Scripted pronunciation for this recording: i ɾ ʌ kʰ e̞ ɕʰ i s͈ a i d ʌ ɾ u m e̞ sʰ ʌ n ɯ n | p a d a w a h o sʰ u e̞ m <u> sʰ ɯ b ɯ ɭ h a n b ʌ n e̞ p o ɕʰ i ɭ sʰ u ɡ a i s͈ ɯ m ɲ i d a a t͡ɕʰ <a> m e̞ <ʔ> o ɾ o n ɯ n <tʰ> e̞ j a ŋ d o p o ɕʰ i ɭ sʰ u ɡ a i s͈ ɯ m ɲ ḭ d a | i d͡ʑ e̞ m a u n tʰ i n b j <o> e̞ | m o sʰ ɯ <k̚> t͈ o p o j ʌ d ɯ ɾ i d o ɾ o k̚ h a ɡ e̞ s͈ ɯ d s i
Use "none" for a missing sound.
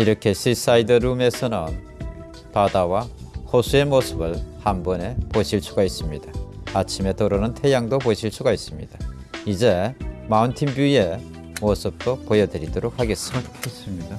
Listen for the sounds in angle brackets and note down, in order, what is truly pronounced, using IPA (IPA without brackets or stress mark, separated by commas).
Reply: o, i, t, tʰ, u, p̚